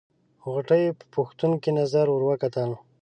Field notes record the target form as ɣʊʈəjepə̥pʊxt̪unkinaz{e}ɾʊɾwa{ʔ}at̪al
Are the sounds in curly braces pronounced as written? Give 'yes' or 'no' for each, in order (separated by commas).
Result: no, no